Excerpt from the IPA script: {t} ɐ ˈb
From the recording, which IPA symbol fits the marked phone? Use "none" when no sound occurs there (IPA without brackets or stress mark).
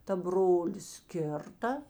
t